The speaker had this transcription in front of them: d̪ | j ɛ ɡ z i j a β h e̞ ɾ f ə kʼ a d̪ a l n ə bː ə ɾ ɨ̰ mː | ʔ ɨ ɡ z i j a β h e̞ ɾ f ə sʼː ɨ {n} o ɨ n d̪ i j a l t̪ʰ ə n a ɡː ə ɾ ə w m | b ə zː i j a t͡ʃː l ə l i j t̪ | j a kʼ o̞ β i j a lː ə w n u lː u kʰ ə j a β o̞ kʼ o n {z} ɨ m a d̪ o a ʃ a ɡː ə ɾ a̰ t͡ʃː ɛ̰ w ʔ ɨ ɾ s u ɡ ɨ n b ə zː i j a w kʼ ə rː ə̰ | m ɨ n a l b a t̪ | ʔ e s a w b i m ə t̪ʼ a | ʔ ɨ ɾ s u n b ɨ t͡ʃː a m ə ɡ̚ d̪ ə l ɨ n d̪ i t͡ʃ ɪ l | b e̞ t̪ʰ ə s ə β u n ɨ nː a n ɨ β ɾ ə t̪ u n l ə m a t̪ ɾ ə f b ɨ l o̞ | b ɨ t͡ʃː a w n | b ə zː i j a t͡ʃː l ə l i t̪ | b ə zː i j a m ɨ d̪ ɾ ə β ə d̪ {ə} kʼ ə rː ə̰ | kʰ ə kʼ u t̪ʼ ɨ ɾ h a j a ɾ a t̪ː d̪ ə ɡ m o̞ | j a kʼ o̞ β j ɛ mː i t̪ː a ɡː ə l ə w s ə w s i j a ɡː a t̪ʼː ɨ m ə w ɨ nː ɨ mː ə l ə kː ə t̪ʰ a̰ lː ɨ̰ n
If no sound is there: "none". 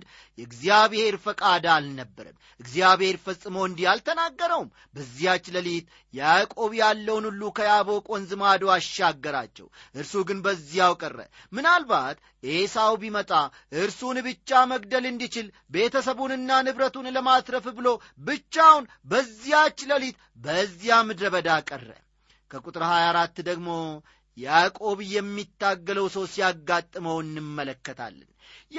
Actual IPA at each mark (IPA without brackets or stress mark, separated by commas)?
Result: m, z, a